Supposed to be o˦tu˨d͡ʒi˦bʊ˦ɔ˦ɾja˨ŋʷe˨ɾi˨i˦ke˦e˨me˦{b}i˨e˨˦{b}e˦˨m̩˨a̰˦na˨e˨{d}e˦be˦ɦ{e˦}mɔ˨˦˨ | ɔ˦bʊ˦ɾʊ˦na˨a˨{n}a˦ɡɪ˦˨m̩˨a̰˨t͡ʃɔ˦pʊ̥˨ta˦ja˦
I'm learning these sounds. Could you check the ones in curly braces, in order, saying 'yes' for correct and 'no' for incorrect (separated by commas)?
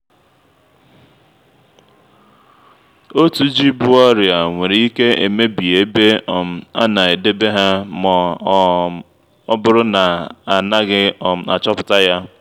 yes, yes, yes, no, yes